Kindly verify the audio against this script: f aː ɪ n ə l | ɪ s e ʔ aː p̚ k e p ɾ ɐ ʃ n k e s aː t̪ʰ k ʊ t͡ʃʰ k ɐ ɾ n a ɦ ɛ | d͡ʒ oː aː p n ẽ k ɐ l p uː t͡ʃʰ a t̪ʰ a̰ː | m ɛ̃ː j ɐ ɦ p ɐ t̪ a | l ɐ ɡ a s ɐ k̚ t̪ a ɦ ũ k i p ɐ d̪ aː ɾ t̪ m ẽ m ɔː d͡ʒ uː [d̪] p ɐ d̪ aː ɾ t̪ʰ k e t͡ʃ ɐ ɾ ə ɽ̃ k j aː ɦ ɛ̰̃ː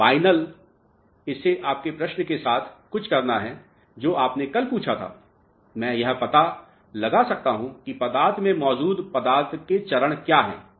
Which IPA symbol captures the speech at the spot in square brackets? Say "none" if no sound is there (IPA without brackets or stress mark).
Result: d̪